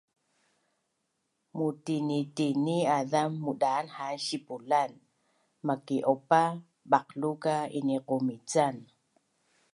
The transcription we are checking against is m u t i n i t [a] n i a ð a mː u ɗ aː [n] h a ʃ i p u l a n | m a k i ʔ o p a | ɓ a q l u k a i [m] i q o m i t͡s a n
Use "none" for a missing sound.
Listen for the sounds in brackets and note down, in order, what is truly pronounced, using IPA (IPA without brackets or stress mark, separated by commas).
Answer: i, n, n